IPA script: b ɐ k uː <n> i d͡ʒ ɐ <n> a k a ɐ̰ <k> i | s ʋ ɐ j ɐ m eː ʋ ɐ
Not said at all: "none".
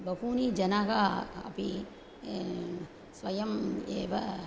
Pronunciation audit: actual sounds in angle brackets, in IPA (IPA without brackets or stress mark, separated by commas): n, n, p